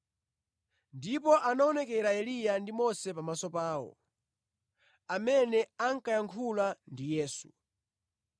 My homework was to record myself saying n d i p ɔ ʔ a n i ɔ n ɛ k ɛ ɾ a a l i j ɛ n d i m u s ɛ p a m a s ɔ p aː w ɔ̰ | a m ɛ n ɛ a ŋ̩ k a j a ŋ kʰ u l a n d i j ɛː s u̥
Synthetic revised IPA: n d i p ɔ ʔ a n a ɔ n ɛ k ɛ ɾ a ɛ l i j a n d i m ɔ s ɛ p a m a s ɔ p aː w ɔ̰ | a m ɛ n ɛ a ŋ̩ k a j a ŋ kʰ u l a n d i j ɛː s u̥